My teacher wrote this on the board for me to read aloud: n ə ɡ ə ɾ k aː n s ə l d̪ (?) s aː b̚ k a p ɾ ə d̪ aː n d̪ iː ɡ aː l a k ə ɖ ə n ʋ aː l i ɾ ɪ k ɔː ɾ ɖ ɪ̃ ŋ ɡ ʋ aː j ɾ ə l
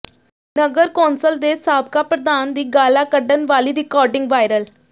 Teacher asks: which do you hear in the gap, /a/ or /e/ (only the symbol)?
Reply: e